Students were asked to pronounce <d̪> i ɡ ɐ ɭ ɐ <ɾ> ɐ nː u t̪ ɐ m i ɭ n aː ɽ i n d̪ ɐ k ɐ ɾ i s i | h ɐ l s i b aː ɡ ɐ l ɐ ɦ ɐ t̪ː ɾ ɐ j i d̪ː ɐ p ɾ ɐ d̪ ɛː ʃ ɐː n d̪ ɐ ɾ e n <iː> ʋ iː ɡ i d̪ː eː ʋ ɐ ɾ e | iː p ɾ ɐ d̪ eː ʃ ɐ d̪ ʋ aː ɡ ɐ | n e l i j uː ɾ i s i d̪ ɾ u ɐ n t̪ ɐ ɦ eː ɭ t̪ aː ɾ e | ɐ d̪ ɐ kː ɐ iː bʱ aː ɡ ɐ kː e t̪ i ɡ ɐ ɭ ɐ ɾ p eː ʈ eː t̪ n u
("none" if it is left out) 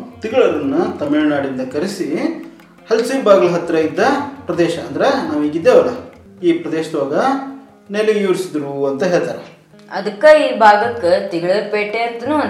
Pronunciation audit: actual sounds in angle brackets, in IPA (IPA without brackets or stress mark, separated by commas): t̪, ɾ, aː